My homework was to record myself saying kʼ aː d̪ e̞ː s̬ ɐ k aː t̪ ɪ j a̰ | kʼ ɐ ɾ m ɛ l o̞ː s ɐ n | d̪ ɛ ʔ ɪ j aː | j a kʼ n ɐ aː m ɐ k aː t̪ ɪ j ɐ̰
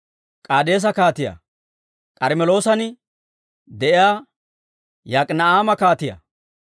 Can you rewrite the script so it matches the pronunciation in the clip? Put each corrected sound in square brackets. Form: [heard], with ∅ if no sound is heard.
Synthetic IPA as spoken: kʼ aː d̪ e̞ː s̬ ɐ k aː t̪ ɪ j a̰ | kʼ ɐ ɾ m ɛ l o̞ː s ɐ n | d̪ ɛ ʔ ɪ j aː | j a kʼ n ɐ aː m ɐ k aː t̪ ɪ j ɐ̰